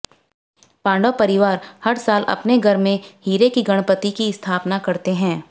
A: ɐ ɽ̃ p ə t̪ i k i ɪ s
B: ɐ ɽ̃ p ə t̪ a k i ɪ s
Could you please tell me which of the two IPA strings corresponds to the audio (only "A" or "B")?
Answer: A